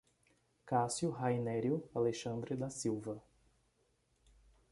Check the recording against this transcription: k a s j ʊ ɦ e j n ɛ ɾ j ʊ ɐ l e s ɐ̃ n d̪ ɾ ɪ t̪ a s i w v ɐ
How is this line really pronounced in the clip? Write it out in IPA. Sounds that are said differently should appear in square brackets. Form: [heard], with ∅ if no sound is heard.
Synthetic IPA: k a s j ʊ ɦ [a] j n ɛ ɾ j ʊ [a] l e [ʃ] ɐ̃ n d̪ ɾ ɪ [d̪] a s i w v ɐ